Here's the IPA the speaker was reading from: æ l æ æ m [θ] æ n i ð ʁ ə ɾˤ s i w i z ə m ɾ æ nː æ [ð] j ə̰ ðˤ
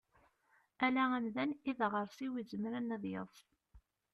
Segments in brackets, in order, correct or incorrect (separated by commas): incorrect, correct